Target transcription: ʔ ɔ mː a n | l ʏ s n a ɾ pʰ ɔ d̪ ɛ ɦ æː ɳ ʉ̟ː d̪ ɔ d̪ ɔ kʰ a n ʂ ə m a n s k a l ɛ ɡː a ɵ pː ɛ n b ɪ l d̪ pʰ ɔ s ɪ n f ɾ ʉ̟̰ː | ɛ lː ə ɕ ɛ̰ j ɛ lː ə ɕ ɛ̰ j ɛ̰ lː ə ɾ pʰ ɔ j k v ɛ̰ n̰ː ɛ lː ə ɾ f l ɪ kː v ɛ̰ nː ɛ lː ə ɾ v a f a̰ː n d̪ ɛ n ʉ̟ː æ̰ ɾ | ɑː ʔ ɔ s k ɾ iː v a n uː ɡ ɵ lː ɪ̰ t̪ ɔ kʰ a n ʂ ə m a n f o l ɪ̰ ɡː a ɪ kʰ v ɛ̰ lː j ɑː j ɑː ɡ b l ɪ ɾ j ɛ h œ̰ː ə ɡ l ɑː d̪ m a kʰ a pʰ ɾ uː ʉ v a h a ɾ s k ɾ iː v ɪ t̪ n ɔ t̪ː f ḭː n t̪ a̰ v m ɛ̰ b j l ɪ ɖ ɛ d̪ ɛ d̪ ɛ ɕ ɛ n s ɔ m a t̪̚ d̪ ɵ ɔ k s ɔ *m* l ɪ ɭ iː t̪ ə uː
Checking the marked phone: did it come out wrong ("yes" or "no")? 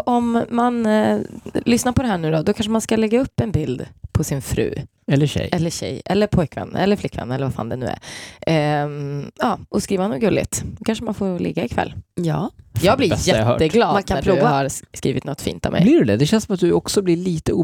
yes